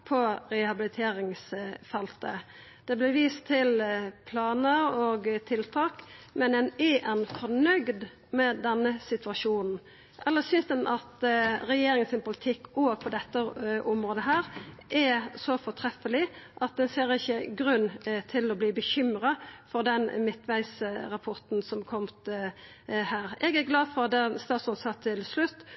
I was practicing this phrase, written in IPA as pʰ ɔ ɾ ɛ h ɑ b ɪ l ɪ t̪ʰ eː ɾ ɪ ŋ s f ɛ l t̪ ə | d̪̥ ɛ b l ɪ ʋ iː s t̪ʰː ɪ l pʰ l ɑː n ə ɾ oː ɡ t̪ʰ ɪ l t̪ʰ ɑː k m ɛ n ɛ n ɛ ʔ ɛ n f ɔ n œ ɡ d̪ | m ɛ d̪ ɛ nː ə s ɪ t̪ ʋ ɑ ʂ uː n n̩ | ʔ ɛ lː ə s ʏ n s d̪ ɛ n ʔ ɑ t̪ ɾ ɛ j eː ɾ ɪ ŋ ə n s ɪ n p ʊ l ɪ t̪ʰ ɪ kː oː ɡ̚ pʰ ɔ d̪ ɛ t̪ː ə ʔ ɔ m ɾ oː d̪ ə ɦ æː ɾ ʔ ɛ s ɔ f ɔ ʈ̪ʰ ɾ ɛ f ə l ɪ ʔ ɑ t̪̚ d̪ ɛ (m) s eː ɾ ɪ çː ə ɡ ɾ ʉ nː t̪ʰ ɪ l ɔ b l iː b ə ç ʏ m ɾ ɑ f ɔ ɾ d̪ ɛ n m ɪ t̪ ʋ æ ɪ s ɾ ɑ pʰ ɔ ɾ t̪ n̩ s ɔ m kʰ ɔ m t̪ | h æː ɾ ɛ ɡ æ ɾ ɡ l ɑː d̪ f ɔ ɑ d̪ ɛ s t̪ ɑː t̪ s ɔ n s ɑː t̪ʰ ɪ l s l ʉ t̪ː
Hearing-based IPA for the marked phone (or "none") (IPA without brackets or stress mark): n